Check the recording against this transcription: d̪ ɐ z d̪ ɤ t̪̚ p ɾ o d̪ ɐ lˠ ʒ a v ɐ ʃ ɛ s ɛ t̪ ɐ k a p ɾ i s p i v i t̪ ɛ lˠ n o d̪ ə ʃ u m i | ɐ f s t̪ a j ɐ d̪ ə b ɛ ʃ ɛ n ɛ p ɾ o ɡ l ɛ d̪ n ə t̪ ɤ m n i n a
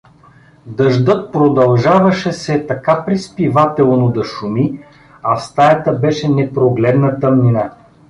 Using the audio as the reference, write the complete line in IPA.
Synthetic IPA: d̪ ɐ ʒ d̪ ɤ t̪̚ p ɾ o d̪ ɐ lˠ ʒ a v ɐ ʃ ɛ s ɛ t̪ ɐ k a p ɾ i s p i v a t̪ ɛ lˠ n o d̪ ɐ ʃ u m i | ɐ f s t̪ a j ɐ t̪ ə b ɛ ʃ ɛ n ɛ p ɾ o ɡ l ɛ d̪ n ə t̪ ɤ m n i n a